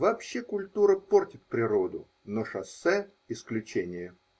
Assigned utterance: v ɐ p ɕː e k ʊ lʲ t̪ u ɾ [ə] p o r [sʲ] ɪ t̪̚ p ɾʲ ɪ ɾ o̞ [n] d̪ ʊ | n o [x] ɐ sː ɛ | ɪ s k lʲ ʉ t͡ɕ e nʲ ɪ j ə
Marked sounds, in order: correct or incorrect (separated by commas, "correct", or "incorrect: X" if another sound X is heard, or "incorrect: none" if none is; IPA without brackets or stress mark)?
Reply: correct, incorrect: tʲ, incorrect: none, incorrect: ʂ